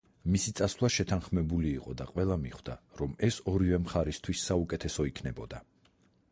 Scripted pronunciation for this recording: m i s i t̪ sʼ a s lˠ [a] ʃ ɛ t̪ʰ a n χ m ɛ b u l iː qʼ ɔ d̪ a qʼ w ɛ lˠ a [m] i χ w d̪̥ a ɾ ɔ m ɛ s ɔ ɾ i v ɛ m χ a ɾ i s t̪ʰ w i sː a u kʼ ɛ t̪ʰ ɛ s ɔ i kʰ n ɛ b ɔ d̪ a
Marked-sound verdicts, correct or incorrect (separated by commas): correct, correct